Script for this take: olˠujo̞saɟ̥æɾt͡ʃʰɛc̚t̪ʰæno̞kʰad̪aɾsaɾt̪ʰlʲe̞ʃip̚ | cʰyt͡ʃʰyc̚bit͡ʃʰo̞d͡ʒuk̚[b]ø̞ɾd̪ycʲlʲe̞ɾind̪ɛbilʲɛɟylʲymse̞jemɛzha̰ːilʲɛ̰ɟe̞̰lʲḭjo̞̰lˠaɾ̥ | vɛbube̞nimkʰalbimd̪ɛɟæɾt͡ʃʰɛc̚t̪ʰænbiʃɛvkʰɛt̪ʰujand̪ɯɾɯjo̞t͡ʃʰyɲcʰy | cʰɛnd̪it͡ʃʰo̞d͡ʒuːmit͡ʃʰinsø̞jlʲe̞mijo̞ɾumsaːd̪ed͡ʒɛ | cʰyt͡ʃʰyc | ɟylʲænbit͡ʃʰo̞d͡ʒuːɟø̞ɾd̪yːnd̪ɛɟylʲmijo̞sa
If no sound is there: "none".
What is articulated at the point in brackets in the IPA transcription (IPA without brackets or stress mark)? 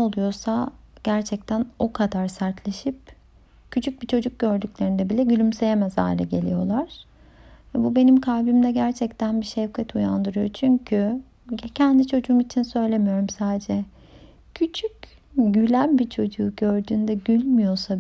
ɟ